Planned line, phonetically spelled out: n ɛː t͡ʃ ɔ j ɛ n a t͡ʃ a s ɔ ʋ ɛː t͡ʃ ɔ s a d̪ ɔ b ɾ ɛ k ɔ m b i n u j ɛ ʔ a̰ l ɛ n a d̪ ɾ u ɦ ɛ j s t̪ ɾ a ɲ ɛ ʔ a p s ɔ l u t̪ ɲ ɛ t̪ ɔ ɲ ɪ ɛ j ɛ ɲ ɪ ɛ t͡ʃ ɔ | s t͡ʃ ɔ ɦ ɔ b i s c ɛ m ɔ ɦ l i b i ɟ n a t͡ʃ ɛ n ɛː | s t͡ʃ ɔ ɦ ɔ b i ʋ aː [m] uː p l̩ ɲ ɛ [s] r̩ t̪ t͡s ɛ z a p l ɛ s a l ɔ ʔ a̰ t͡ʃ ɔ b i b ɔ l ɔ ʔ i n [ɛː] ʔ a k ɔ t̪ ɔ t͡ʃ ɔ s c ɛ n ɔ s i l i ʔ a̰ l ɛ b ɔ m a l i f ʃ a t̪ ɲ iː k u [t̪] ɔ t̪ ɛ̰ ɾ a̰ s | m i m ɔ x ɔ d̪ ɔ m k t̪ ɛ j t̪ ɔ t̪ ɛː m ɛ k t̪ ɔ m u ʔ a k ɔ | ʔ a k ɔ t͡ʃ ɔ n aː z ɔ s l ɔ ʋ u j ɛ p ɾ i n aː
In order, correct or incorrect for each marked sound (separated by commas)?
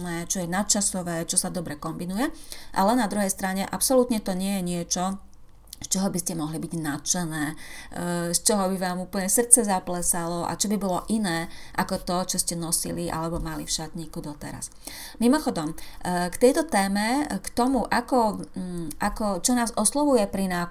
correct, correct, correct, incorrect